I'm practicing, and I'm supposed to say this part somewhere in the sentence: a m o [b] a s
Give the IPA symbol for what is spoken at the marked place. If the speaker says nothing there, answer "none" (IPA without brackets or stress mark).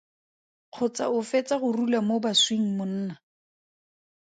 b